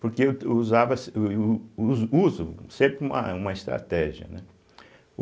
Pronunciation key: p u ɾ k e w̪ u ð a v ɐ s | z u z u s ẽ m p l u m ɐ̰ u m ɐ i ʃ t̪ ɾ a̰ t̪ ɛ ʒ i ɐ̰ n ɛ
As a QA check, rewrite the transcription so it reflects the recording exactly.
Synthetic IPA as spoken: p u ɾ k e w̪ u z a v ɐ s | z u z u s ẽ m p ɾ u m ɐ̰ u m ɐ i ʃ t̪ ɾ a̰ t̪ ɛ ʒ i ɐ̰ n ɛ